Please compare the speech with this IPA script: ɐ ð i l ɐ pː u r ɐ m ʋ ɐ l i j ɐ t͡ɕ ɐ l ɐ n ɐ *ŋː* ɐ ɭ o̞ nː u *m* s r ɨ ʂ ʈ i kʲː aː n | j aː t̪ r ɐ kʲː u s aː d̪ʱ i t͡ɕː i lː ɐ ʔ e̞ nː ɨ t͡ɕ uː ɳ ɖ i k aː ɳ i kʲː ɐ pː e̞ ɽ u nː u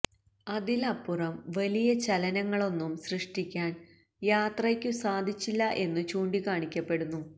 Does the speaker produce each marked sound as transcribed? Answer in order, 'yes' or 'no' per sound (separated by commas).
yes, yes